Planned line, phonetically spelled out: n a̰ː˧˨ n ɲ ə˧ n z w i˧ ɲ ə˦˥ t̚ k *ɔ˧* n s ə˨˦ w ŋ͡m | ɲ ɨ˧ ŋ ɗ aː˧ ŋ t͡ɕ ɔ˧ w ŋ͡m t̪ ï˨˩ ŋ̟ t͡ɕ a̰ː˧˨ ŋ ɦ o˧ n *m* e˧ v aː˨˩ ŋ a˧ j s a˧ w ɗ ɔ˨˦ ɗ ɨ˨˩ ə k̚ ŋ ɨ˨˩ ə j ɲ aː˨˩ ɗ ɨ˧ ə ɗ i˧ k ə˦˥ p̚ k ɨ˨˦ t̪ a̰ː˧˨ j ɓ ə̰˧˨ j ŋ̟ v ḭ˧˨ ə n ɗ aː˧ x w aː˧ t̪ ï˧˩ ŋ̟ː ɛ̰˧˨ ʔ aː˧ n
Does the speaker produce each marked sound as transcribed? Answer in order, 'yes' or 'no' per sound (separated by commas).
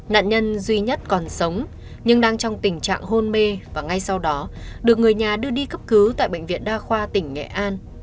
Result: no, yes